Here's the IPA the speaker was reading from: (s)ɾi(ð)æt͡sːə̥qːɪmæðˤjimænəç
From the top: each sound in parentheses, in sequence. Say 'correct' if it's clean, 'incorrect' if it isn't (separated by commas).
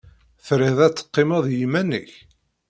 incorrect, correct